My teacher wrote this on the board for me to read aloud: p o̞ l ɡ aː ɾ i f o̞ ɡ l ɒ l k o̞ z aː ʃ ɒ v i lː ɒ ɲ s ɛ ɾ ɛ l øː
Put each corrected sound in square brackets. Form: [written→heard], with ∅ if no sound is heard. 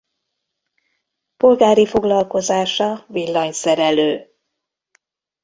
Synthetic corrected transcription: p o̞ l ɡ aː ɾ i f o̞ ɡ l ɒ l k o̞ z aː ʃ ɒ v i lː ɒ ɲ s ɛ ɾ ɛ l øː